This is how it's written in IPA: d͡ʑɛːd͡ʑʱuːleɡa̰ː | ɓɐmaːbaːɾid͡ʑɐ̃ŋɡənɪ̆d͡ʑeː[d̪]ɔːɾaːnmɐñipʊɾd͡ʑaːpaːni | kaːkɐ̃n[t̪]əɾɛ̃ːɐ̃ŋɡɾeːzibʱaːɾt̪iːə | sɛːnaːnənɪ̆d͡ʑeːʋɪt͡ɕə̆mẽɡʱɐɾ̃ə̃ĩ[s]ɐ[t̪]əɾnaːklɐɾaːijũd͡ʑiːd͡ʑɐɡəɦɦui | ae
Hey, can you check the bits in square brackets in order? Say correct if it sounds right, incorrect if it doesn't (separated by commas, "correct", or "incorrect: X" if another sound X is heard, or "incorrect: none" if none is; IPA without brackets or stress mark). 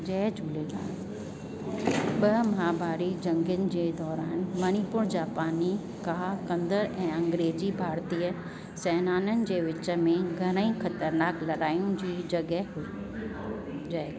correct, incorrect: d̪, incorrect: x, correct